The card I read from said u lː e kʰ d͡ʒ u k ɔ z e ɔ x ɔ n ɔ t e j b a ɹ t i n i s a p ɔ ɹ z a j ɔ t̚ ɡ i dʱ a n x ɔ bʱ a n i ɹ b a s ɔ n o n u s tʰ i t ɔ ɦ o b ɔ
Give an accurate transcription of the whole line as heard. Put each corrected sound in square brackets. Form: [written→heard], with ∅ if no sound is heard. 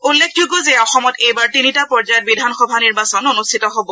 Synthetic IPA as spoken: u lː e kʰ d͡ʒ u [k→ɡ] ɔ z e ɔ x ɔ [n→m] ɔ t e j b a ɹ t i n i [s→t] a p ɔ ɹ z a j ɔ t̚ [ɡ→b] i dʱ a n x ɔ bʱ a n i ɹ b a s ɔ n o n u s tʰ i t ɔ ɦ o b ɔ